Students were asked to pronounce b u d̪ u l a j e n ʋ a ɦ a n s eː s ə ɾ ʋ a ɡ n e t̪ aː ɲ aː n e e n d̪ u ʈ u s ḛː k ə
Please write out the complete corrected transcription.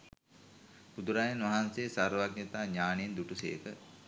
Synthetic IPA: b u d̪ u ɾ a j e n ʋ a ɦ a n s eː s a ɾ ʋ a ɡ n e t̪ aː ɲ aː n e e n d̪ u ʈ u s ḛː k ə